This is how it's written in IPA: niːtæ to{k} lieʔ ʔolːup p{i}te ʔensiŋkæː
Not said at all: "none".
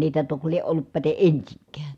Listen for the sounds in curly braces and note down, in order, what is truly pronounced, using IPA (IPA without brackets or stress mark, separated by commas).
k, æ